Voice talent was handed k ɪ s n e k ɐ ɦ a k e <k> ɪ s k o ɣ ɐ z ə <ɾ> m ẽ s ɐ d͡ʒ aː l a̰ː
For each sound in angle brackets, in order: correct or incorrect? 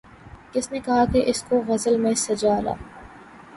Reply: incorrect: ʔ, incorrect: l

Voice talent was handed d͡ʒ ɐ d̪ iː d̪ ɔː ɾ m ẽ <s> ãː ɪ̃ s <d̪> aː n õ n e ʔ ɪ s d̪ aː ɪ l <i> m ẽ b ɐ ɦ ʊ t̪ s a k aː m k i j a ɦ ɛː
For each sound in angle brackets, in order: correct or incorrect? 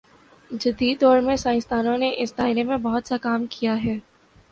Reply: correct, incorrect: t̪, incorrect: e

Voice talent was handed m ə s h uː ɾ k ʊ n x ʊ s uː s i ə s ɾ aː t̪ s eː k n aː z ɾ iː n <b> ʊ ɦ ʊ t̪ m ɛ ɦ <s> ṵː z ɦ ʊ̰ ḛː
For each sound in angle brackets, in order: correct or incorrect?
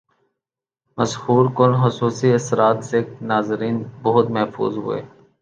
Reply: correct, incorrect: f

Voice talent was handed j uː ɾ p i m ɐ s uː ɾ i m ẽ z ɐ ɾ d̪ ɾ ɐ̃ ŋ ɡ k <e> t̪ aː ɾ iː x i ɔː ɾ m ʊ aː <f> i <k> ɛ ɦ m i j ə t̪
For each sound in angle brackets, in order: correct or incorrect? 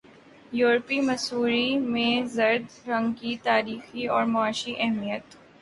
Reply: incorrect: i, incorrect: ʃ, incorrect: ʔ

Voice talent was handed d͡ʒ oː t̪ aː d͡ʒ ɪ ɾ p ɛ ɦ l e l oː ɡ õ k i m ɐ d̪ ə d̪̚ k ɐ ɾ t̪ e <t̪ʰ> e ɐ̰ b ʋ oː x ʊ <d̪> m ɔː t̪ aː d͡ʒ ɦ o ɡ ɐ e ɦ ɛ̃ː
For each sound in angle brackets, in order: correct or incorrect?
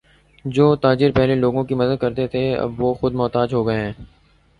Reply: correct, correct

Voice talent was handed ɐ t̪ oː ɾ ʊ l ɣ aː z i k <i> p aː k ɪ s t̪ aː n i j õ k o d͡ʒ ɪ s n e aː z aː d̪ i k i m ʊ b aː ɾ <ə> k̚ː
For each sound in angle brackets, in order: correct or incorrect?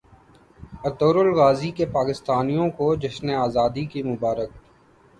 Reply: incorrect: e, correct

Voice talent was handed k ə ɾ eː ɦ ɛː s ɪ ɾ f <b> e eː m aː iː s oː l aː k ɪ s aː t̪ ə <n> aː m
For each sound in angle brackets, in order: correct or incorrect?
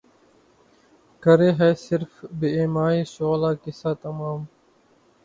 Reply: correct, incorrect: m

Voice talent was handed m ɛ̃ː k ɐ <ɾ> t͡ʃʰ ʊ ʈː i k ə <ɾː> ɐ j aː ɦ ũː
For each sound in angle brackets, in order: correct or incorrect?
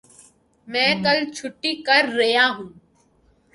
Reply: incorrect: l, correct

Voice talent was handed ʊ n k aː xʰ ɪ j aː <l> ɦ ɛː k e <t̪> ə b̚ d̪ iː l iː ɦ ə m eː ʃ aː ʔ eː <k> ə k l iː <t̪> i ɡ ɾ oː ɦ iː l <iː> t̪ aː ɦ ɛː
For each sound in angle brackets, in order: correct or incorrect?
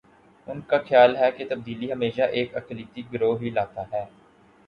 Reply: correct, correct, correct, correct, incorrect: aː

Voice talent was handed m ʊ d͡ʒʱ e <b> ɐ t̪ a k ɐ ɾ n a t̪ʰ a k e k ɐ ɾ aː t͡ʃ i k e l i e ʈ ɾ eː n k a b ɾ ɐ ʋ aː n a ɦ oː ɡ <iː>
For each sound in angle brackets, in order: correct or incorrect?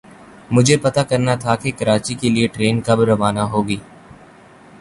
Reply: incorrect: p, correct

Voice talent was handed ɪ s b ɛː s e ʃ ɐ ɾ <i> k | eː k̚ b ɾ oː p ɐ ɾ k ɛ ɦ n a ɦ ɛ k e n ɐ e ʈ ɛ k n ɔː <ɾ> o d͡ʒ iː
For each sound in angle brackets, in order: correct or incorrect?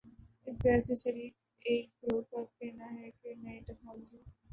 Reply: incorrect: iː, incorrect: l

